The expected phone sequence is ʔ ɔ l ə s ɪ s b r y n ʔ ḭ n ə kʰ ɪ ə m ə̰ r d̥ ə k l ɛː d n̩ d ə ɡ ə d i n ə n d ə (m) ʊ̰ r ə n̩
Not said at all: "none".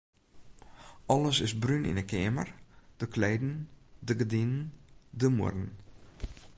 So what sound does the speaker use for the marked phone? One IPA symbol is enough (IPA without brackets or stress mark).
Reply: m